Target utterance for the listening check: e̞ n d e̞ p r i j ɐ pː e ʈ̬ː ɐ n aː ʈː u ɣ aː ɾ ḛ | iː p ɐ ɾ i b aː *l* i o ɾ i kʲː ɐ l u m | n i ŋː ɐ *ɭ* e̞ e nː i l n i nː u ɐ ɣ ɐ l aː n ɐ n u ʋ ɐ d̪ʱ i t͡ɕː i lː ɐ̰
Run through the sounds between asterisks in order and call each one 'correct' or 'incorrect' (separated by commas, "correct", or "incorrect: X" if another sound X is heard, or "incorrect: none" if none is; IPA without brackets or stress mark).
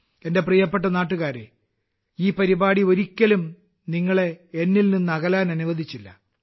incorrect: ɽ, correct